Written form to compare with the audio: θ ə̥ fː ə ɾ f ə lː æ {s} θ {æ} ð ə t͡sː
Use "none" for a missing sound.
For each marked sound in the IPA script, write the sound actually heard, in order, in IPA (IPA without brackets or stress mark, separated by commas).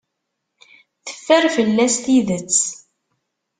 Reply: s, i